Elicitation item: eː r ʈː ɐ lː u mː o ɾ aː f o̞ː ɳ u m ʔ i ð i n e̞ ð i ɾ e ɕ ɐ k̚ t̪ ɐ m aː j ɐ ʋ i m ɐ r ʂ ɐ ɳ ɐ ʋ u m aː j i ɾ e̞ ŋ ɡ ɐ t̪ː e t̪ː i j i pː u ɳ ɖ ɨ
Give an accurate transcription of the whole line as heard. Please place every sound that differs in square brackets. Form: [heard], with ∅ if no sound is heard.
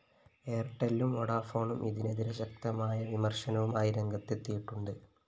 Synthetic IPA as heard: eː r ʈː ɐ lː u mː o [ɽ] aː f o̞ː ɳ u m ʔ i ð i n e̞ ð i ɾ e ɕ ɐ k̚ t̪ ɐ m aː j ɐ ʋ i m ɐ r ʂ ɐ [n] ɐ ʋ u m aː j i ɾ e̞ ŋ ɡ ɐ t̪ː e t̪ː i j i [ʈː] u ɳ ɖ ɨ